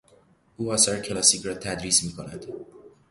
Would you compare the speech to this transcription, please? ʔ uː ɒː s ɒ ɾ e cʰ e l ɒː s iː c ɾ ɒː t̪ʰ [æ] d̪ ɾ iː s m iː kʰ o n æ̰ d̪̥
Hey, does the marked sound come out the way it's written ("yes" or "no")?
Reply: yes